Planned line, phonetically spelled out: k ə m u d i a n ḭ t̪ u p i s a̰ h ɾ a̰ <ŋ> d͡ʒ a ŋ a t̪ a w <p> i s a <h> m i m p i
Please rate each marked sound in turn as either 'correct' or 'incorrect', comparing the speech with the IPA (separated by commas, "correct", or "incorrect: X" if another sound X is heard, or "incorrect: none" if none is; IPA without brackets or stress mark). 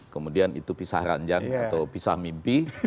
incorrect: ɲ, correct, correct